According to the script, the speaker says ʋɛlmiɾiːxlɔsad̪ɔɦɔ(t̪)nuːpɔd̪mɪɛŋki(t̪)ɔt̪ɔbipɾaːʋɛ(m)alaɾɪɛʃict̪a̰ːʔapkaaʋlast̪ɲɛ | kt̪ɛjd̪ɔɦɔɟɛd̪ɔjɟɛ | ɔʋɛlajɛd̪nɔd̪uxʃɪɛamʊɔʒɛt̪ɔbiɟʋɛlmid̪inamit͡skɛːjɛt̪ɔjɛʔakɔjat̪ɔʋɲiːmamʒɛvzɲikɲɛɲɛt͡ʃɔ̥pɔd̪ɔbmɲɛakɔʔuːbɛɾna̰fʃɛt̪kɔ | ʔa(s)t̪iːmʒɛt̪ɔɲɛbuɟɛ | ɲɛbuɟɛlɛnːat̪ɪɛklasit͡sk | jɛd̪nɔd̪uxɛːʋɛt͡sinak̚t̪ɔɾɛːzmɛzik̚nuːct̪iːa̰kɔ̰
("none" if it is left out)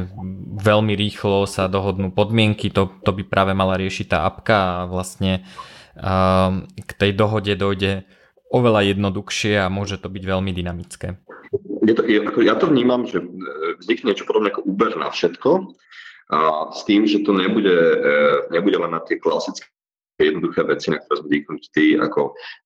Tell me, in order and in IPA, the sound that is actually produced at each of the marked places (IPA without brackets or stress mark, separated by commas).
d̪, t̪, m, s